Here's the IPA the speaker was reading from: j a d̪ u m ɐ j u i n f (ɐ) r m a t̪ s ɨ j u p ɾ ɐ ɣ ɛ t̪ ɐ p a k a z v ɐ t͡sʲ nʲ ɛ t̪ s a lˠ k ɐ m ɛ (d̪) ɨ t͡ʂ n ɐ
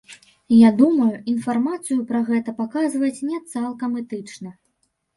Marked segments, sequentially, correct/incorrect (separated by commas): incorrect, incorrect